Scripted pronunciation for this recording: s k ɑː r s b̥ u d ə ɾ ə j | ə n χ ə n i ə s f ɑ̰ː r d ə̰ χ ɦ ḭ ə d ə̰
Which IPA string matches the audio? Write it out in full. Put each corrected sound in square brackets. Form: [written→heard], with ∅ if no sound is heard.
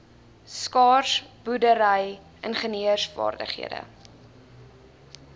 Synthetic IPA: s k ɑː r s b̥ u d ə ɾ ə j | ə n χ ə n i ə s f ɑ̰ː r d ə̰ χ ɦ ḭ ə d ə̰

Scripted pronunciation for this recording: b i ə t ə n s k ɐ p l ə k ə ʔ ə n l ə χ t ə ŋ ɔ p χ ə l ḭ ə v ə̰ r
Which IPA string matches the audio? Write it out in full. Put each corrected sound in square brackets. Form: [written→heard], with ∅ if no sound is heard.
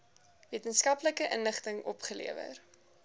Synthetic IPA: [b→v] i ə t ə n s k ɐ p l ə k ə ʔ ə n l ə χ t ə ŋ ɔ p χ ə l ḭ ə v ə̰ r

